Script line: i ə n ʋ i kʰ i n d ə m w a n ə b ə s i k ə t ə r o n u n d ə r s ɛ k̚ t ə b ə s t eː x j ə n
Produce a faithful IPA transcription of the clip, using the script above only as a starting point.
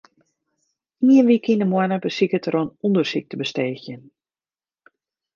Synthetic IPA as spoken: i ə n ʋ i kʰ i n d ə m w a n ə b ə s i k ə t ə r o n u n d ə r s i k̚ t ə b ə s t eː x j ə n